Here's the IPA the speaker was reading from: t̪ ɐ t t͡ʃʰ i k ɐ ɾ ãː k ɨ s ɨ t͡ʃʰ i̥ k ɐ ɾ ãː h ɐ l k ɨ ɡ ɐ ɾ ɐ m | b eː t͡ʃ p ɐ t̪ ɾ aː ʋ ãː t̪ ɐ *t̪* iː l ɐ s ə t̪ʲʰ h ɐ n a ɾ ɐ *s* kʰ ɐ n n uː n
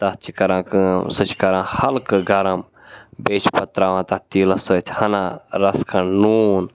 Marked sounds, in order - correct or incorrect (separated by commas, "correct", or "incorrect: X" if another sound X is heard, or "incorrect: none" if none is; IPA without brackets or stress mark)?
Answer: correct, correct